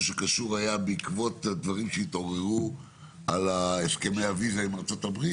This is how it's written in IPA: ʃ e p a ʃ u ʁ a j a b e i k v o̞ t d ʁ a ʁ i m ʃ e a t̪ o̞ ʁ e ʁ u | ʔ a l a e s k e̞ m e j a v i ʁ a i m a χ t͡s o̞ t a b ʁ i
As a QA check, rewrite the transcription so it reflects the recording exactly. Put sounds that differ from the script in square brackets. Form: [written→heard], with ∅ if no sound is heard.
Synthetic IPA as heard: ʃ e [p→k] a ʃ u ʁ a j a b e i k v o̞ t d [ʁ→v] a ʁ i m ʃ e [a→i] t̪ o̞ ʁ e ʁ u | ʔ a l a e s k e̞ m e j a v i [ʁ→z] a i m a [χ→ʁ] t͡s o̞ t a b ʁ i